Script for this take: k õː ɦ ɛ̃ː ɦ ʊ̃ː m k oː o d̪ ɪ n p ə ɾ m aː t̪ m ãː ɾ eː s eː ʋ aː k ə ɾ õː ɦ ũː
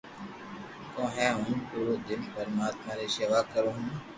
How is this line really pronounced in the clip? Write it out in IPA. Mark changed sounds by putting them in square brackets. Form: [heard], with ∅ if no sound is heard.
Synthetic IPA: k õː ɦ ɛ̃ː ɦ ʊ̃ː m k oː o d̪ ɪ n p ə ɾ m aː t̪ m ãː ɾ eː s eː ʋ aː k ə ɾ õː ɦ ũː